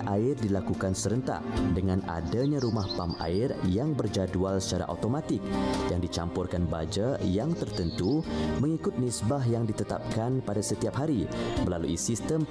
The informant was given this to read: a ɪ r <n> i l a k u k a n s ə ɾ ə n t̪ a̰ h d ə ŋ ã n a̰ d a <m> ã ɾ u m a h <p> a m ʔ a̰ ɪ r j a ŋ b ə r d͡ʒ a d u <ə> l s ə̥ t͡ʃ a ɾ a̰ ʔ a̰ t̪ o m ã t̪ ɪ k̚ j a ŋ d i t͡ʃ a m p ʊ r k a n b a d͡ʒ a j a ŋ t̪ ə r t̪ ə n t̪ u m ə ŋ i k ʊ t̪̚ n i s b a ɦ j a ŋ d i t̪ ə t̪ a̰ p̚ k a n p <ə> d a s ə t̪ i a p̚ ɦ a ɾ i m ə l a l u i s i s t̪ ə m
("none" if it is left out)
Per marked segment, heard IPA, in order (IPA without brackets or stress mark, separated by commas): d, ɲ, p, a, a